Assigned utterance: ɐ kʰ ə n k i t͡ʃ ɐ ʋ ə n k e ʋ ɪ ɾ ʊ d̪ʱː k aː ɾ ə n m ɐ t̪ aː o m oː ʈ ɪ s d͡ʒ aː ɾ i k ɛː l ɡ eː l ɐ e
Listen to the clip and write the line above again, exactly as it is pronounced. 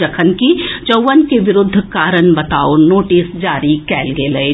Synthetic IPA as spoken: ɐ kʰ ə n k i t͡ʃ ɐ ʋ ə n k e ʋ ɪ ɾ ʊ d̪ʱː k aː ɾ ə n b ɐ t̪ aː o n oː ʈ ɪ s d͡ʒ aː ɾ i k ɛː l ɡ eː l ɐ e